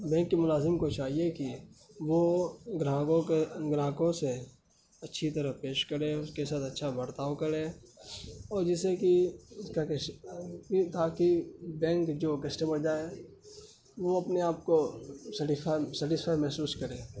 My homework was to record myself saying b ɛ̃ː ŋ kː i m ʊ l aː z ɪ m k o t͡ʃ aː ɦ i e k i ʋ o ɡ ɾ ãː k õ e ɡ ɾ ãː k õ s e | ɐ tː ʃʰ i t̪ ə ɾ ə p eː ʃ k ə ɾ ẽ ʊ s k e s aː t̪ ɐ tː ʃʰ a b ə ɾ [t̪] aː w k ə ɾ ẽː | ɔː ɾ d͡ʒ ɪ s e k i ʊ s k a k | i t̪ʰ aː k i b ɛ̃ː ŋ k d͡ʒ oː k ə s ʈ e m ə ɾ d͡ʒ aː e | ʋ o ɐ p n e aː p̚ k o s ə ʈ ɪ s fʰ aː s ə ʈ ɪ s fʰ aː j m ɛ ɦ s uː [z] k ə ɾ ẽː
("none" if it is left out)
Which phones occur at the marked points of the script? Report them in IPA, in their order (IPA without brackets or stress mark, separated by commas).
t̪, s